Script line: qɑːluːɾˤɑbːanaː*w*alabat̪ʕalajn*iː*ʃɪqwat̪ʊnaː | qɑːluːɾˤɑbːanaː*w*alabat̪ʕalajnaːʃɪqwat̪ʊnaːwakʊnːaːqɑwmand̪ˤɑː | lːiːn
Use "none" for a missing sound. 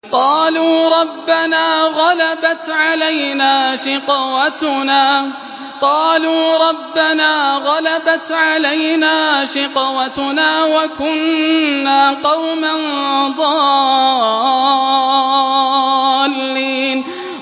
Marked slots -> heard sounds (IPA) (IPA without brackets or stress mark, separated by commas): ɣ, aː, ɣ